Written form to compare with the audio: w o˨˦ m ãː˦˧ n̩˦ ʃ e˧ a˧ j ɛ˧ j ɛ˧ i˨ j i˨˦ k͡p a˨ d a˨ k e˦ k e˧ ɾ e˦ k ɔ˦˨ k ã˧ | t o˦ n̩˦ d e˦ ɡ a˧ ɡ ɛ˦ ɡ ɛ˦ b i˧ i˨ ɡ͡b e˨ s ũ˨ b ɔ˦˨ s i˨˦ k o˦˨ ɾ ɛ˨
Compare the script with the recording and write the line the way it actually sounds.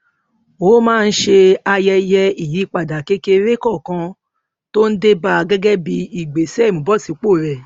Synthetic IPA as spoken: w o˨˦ m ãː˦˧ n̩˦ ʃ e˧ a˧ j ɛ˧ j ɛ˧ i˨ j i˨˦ k͡p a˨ d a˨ k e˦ k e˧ ɾ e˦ k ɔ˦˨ k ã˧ | t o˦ n̩˦ d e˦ b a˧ ɡ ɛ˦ ɡ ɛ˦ b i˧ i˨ ɡ͡b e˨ s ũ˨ b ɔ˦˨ s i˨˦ k͡p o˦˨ ɾ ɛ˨